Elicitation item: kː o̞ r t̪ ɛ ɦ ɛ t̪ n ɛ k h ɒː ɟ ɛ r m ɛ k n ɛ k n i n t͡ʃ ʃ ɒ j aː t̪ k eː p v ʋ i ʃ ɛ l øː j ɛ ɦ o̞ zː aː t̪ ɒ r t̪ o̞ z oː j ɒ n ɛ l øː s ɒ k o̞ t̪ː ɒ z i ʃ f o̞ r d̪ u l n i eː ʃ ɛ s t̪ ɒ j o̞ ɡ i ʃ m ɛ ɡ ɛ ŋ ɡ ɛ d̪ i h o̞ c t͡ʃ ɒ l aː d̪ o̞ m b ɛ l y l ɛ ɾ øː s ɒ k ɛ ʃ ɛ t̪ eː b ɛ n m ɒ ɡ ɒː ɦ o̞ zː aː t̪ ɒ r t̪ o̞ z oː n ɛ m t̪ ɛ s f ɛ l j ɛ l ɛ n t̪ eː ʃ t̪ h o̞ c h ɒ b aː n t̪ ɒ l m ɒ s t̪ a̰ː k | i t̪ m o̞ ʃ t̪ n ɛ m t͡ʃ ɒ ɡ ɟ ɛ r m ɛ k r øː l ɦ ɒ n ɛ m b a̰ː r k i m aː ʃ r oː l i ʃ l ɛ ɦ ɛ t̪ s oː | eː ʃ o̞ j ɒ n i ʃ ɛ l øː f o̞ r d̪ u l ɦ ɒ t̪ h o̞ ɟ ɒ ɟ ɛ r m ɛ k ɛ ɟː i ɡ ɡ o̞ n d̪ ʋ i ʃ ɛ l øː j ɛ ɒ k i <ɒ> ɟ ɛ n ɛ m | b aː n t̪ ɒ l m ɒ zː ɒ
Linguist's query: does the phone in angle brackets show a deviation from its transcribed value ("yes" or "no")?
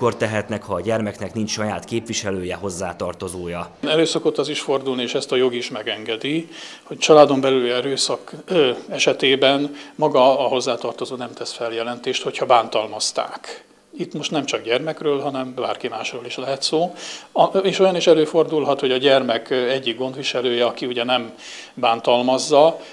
yes